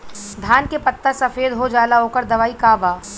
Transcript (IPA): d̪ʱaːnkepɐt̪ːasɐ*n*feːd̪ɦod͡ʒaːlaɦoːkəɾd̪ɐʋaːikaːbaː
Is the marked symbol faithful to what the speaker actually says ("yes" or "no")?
no